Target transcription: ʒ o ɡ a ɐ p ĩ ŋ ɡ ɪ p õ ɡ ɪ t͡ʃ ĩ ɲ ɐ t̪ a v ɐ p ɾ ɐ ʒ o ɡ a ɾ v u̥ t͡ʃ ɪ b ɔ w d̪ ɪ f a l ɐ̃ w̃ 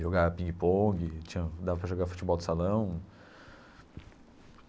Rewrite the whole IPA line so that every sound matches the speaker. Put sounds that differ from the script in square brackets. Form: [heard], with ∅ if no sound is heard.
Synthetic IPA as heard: ʒ o ɡ a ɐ p ĩ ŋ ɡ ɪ p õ ɡ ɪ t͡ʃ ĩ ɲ ɐ [d̪] a v ɐ p ɾ ɐ ʒ o ɡ a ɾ [f] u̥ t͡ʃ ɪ b ɔ w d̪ ɪ [s] a l ɐ̃ w̃